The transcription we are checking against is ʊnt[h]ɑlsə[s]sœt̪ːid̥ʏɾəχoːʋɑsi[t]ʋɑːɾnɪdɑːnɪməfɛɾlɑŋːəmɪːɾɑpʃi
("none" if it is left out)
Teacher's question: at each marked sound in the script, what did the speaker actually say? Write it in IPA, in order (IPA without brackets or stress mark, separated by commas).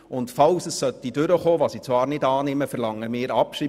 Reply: f, s, t͡s